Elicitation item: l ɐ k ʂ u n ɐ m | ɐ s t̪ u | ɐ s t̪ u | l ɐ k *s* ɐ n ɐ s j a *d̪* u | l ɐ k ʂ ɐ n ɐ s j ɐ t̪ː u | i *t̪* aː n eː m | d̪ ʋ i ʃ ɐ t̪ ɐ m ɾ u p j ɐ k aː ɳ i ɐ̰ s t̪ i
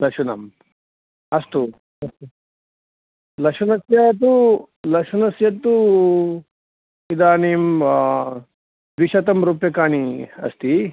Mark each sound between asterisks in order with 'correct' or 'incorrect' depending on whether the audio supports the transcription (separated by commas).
incorrect, incorrect, incorrect